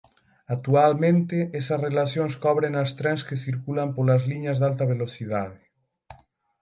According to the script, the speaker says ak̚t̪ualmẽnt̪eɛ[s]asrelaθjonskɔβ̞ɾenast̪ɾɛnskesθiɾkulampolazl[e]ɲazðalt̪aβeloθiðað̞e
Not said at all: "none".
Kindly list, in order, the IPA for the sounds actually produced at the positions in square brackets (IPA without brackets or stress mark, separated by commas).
s, i